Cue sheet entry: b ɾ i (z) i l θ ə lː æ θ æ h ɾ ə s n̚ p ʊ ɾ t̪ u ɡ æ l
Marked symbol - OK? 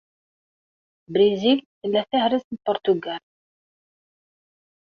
yes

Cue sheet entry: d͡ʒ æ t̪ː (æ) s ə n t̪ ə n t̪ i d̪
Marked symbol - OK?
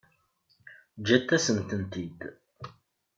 yes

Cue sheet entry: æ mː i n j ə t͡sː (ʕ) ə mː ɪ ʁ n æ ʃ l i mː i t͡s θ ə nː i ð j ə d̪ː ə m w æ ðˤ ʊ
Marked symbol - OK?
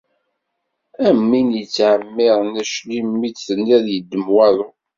yes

